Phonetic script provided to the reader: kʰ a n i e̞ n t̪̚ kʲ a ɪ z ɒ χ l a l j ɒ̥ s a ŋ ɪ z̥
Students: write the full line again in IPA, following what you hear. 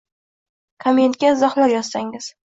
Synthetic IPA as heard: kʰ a m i e̞ n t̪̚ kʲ a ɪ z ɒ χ l a ɾ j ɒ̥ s a ŋ ɪ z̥